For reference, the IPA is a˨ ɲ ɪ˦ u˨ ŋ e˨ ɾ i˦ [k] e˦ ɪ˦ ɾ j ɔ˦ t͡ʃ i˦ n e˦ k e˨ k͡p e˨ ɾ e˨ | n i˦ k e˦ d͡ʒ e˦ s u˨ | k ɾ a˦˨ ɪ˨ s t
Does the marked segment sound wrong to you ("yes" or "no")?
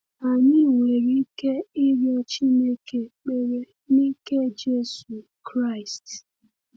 no